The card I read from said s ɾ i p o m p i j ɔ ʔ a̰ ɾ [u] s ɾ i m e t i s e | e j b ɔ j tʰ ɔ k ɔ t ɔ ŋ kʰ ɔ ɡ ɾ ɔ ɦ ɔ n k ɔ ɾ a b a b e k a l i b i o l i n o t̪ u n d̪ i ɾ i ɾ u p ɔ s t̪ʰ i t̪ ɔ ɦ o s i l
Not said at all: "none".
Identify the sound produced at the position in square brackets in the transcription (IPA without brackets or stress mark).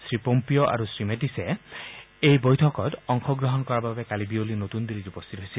u